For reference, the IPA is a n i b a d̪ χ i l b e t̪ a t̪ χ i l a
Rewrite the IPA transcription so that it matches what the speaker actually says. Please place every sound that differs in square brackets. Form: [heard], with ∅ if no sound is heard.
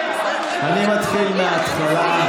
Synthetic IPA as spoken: a n i [m] a [t̪] χ i l [m] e [∅] a t̪ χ [a] l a